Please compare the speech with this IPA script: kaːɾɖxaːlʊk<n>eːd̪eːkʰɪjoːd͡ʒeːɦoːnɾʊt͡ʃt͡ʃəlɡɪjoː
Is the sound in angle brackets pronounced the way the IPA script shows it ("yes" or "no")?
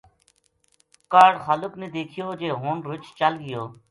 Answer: yes